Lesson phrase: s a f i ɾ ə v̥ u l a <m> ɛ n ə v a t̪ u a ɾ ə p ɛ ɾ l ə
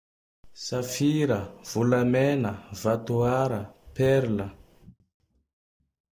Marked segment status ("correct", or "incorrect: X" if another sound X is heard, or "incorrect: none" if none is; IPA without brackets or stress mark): correct